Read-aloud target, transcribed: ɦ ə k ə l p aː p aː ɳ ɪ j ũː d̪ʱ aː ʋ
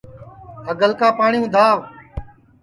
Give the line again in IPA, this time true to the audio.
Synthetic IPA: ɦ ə ɡ ə l k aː p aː ɳ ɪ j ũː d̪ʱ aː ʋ